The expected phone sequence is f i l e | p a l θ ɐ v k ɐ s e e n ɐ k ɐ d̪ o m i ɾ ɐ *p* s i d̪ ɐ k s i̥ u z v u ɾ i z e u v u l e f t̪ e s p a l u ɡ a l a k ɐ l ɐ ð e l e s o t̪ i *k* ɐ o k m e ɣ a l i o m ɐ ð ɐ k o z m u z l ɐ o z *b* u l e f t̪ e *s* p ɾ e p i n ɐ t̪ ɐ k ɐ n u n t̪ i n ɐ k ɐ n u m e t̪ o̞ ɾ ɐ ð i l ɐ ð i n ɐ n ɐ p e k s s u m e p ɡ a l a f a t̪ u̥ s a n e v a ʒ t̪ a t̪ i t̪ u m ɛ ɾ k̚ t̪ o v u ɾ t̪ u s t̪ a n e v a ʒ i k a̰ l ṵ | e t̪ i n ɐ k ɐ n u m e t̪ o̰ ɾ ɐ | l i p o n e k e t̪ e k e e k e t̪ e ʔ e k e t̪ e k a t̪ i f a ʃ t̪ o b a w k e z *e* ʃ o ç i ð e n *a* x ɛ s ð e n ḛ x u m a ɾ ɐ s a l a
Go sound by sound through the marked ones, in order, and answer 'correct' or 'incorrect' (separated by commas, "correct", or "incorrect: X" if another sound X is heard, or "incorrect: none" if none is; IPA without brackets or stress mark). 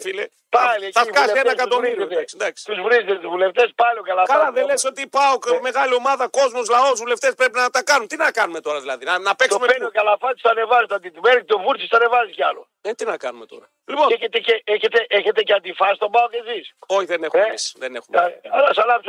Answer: incorrect: k, incorrect: p, incorrect: v, correct, incorrect: i, incorrect: e